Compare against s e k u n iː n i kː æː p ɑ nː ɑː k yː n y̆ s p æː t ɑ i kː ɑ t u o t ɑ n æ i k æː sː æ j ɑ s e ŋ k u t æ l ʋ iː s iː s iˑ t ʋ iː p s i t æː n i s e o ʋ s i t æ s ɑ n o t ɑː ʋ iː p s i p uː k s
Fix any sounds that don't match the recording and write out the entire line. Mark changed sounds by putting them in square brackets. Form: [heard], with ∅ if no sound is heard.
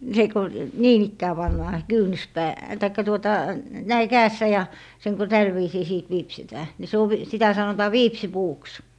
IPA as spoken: s e k u n iː n i kː æː p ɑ nː ɑː k yː n y̆ s p æː t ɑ i kː ɑ t u o t ɑ n æ i k æː sː æ j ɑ s e ŋ k u t æ l ʋ iː s iː s iˑ t ʋ iː p s i t æː n i s e o ʋ s i t æ s ɑ n o t ɑː ʋ iː p s i p uː k s